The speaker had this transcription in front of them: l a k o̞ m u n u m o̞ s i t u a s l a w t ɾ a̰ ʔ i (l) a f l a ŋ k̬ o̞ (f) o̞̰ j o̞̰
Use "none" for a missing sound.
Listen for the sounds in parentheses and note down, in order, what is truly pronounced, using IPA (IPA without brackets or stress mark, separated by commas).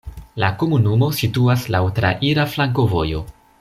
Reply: ɾ, v